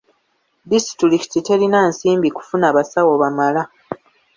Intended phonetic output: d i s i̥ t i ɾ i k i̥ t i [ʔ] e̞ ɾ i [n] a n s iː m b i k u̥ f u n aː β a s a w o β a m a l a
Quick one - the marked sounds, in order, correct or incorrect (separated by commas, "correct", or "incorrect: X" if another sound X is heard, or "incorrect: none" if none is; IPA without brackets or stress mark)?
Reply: incorrect: t, correct